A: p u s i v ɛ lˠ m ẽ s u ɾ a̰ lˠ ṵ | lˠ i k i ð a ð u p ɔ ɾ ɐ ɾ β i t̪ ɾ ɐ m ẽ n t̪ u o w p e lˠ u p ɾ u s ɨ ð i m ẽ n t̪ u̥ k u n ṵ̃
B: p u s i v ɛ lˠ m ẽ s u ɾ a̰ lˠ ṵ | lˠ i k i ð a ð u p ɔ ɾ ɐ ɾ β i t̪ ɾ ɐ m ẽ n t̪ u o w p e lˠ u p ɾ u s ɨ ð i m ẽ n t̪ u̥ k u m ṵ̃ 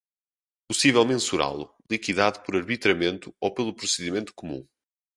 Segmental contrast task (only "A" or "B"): B